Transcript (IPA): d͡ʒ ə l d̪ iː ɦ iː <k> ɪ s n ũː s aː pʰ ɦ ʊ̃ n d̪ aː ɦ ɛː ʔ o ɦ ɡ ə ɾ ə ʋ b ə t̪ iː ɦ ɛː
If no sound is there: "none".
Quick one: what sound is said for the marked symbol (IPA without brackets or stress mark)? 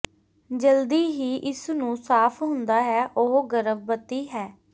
ʔ